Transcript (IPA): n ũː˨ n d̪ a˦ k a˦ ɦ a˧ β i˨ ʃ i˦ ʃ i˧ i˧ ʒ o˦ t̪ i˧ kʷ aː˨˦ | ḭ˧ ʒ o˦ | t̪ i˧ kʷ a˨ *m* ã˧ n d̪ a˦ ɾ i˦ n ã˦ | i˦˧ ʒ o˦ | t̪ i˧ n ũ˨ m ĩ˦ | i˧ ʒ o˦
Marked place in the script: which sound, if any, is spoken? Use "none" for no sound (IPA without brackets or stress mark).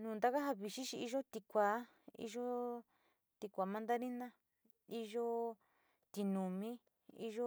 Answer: m